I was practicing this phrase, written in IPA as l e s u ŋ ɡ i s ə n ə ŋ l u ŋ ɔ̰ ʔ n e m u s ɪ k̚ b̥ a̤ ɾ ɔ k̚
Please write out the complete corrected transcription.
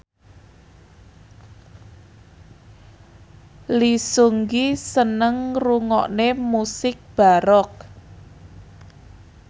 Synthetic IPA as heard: l i s u ŋ ɡ i s ə n ə ŋ r u ŋ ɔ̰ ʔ n e m u s ɪ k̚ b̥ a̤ ɾ ɔ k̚